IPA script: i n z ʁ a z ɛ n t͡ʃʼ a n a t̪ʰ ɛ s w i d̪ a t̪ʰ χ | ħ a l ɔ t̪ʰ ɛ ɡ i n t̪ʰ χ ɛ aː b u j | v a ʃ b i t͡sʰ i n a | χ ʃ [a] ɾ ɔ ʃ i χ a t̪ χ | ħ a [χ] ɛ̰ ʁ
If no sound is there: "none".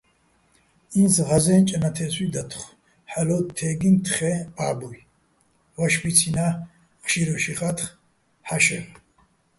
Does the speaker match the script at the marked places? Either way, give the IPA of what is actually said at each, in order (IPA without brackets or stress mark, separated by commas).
i, ʃ